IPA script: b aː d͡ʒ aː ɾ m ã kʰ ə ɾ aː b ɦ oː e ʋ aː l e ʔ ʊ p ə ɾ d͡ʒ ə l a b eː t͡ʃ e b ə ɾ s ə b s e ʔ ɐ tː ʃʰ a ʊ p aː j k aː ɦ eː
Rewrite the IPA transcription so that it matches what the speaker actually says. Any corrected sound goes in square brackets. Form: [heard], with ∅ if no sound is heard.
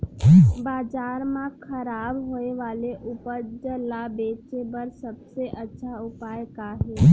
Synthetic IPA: b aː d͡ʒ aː ɾ m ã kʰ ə ɾ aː b ɦ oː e ʋ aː l e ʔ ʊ p ə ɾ d͡ʒ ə l a b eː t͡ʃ e b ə ɾ s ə b s e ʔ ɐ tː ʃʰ a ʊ p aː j k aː ɦ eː

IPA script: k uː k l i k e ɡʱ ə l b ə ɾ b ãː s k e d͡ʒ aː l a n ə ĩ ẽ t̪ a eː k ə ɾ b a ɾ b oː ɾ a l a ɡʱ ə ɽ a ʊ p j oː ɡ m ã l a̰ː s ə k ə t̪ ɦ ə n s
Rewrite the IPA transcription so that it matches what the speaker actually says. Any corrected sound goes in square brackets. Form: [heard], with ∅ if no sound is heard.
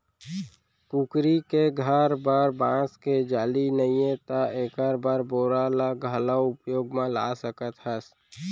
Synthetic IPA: k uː k [ɾ] i k e ɡʱ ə [ɾ] b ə ɾ b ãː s k e d͡ʒ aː l [i] n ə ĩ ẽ t̪ a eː k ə ɾ b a ɾ b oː ɾ a l a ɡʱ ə [l] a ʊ p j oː ɡ m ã l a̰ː s ə k ə t̪ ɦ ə [∅] s

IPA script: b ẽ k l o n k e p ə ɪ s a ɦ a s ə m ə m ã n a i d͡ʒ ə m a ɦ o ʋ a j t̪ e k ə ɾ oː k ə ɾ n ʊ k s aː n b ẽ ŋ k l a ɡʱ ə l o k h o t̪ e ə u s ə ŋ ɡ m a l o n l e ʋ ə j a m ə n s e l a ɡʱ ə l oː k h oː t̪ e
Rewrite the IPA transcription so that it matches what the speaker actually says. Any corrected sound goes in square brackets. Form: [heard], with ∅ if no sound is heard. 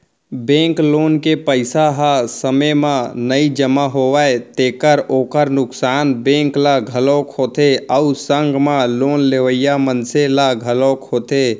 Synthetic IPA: b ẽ k l o n k e p ə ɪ s a ɦ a s ə m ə m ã n [ə] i d͡ʒ ə m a ɦ o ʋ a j t̪ e k ə ɾ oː k ə ɾ n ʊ k s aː n b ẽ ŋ k l a ɡʱ ə l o k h o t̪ e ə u s ə ŋ ɡ m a l o n l e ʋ ə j a m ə n s e l a ɡʱ ə l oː k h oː t̪ e

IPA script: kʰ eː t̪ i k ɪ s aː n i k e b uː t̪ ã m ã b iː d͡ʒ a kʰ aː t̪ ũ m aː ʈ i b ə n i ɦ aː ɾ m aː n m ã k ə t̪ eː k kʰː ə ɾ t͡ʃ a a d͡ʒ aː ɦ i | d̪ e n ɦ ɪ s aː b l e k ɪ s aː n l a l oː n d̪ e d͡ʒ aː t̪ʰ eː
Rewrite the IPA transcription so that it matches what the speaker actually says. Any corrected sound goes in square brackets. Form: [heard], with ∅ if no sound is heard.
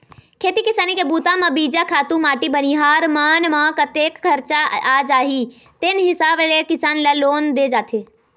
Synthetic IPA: kʰ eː t̪ i k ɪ s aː n i k e b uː t̪ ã m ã b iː d͡ʒ a kʰ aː t̪ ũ m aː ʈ i b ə n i ɦ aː ɾ m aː n m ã k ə t̪ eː k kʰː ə ɾ t͡ʃ a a d͡ʒ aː ɦ i | [t̪] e n ɦ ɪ s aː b l e k ɪ s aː n l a l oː n d̪ e d͡ʒ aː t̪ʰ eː

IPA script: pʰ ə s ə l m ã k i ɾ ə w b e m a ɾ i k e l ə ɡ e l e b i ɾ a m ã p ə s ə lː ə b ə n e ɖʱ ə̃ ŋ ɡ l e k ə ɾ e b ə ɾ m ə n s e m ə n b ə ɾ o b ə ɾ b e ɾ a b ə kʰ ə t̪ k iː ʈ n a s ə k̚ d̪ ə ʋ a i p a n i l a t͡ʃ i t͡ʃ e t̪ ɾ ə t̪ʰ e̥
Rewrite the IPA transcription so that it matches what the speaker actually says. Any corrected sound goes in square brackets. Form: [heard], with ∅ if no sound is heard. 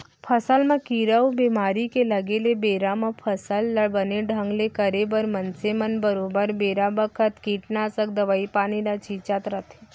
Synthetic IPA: pʰ ə s ə l m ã k i ɾ ə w b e m a ɾ i k e l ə ɡ e l e b [e] ɾ a m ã [pʰ] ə s ə lː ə b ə n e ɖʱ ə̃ ŋ ɡ l e k ə ɾ e b ə ɾ m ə n s e m ə n b ə ɾ o b ə ɾ b e ɾ a b ə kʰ ə t̪ k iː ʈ n a s ə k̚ d̪ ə ʋ a i p a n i l a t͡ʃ i t͡ʃ [a] t̪ ɾ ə t̪ʰ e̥

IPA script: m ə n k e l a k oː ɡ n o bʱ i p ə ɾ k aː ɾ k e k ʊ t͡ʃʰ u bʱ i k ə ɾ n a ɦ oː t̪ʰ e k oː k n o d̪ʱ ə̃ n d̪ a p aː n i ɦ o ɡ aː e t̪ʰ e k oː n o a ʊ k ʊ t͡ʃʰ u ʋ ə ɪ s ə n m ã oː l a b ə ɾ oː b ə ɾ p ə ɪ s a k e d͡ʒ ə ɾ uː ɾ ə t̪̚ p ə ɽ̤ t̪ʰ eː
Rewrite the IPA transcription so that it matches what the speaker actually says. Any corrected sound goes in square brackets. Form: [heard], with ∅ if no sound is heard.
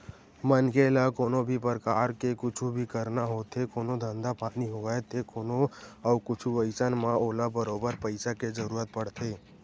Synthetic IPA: m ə n k e l a k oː [∅] n o bʱ i p ə ɾ k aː ɾ k e k ʊ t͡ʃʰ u bʱ i k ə ɾ n a ɦ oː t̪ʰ e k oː [∅] n o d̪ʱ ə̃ n d̪ a p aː n i ɦ o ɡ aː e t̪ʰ e k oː n o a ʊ k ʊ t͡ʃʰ u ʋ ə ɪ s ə n m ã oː l a b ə ɾ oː b ə ɾ p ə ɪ s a k e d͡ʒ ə ɾ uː ɾ ə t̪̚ p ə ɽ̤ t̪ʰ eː

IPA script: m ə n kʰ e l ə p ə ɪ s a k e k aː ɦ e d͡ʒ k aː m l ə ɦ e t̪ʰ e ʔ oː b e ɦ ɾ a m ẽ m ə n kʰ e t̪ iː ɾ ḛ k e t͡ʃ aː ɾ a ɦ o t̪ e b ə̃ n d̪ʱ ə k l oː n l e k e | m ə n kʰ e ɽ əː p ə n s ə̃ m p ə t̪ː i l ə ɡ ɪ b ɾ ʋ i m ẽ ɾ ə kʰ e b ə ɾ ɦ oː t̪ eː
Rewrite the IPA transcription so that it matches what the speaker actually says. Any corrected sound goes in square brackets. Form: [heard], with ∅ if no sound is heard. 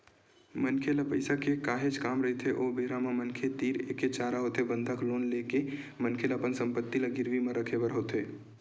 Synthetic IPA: m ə n kʰ e l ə p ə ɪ s a k e k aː ɦ e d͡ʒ k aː m [ɾ] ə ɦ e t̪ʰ e ʔ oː b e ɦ ɾ a m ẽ m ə n kʰ e t̪ iː ɾ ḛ k e t͡ʃ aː ɾ a ɦ o t̪ e b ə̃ n d̪ʱ ə k l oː n l e k e | m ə n kʰ e [l] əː p ə n s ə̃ m p ə t̪ː i l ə ɡ ɪ [∅] ɾ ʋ i m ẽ ɾ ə kʰ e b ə ɾ ɦ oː t̪ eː

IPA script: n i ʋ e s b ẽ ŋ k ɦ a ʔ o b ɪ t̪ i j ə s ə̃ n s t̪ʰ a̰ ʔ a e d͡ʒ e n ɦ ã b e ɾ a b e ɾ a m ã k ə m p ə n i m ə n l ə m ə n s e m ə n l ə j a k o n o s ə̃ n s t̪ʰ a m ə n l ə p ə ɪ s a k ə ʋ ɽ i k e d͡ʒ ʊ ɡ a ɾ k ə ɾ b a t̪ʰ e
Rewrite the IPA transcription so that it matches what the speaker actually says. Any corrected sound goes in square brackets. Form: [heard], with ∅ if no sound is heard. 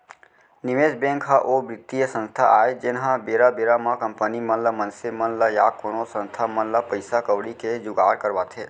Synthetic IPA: n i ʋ e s b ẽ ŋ k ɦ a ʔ o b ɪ t̪ i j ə s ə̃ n s t̪ʰ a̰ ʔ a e d͡ʒ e n ɦ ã b e ɾ a b e ɾ a m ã k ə m p ə n i m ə n l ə m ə n s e m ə n l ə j a k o n o s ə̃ n s t̪ʰ a m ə n l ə p ə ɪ s a k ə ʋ ɽ i k e d͡ʒ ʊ ɡ a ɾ k ə ɾ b a t̪ʰ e

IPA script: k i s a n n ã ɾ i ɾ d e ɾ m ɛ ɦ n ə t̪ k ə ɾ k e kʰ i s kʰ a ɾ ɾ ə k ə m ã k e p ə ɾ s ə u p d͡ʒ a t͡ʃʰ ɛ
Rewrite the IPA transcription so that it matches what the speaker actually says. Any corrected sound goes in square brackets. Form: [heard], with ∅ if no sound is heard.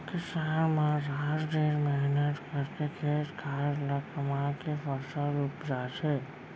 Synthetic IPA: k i s a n [m] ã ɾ [a] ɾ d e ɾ m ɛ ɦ n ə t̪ k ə ɾ k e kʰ [e] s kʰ a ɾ [l] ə k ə m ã k e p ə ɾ s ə u p d͡ʒ a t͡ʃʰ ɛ

